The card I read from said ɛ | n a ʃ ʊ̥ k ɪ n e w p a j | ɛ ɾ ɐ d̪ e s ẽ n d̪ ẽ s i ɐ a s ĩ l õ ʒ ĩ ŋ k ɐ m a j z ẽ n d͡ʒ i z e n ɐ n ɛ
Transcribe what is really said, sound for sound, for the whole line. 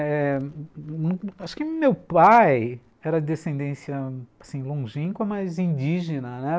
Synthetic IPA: ɛ | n a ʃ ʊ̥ k ɪ m e w p a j | ɛ ɾ ɐ d̪ e s ẽ n d̪ ẽ s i ɐ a s ĩ l õ ʒ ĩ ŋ k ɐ m a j z ĩ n d͡ʒ i ʒ e n ɐ n ɛ